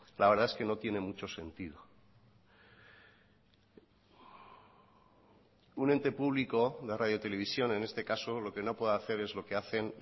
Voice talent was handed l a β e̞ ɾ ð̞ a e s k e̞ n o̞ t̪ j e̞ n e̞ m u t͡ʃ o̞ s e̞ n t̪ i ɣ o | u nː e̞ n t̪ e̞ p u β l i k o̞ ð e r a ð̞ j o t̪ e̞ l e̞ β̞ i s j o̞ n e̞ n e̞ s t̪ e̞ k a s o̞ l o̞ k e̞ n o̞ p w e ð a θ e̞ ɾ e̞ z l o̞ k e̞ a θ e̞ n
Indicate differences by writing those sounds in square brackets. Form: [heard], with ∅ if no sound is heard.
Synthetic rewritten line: l a β e̞ ɾ ð̞ a e s k e̞ n o̞ t̪ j e̞ n e̞ m u t͡ʃ o̞ s e̞ n t̪ i [ð] o | u [n] e̞ n t̪ e̞ p u β l i k o̞ ð e r a ð̞ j o t̪ e̞ l e̞ β̞ i s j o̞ n e̞ n e̞ s t̪ e̞ k a s o̞ l o̞ k e̞ n o̞ p w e ð a θ e̞ ɾ e̞ z l o̞ k e̞ a θ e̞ n